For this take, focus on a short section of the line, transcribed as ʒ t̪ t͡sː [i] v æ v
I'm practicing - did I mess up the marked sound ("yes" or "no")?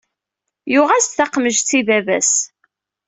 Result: no